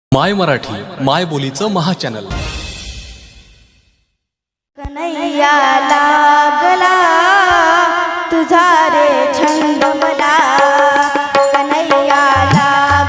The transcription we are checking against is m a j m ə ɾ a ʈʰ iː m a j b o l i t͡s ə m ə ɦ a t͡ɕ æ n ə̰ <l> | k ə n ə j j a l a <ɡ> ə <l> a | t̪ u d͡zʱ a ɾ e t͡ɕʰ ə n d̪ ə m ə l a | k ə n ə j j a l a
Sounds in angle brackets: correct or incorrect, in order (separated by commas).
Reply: correct, correct, correct